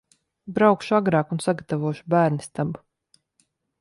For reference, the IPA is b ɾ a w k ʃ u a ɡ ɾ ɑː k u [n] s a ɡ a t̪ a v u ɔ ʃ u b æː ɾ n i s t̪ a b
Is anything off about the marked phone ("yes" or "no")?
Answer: no